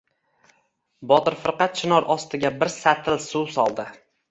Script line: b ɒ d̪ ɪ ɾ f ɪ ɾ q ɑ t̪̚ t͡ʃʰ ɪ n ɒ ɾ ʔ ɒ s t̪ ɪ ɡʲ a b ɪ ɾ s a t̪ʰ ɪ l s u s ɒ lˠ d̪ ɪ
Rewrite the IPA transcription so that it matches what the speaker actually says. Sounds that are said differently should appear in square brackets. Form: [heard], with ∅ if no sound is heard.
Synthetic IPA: b ɒ [t̪] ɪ ɾ f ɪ ɾ q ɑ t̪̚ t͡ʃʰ ɪ n ɒ ɾ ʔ ɒ s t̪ ɪ ɡʲ a b ɪ ɾ s a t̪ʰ ɪ l s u s ɒ lˠ d̪ ɪ